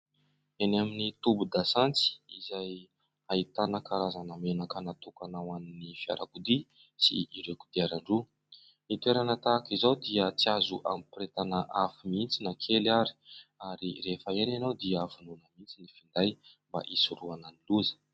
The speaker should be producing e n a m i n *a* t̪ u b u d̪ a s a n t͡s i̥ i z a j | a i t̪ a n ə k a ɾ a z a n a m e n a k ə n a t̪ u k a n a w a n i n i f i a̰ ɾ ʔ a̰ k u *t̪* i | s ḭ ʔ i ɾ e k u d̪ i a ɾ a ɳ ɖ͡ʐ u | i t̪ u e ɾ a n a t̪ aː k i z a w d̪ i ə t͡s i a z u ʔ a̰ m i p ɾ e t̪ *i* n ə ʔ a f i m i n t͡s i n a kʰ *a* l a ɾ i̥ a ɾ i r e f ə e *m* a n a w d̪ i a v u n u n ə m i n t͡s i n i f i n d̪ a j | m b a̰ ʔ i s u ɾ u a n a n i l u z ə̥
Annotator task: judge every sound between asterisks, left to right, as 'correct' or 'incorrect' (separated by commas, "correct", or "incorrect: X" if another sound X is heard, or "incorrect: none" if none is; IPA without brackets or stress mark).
incorrect: i, incorrect: d̪, incorrect: a, incorrect: e, incorrect: n